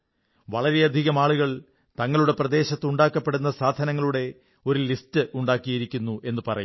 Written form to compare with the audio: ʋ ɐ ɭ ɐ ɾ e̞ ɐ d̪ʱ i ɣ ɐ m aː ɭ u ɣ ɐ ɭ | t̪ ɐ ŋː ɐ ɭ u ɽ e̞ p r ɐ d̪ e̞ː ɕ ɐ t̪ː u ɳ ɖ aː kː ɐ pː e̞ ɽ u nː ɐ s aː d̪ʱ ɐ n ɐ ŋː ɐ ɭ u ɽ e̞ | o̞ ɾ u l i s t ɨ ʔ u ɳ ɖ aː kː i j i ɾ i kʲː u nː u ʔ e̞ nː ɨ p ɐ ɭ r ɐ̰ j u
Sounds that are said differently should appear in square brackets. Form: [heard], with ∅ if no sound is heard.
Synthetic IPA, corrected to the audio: ʋ ɐ ɭ ɐ ɾ e̞ ɐ d̪ʱ i ɣ ɐ m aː ɭ u ɣ ɐ ɭ | t̪ ɐ ŋː ɐ ɭ u ɽ e̞ p r ɐ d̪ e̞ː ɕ ɐ t̪ː u ɳ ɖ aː kː ɐ pː e̞ ɽ u nː ɐ s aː d̪ʱ ɐ n ɐ ŋː ɐ ɭ u ɽ e̞ | o̞ ɾ u l i s t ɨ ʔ u ɳ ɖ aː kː i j i ɾ i kʲː u nː u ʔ e̞ nː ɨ p ɐ [∅] r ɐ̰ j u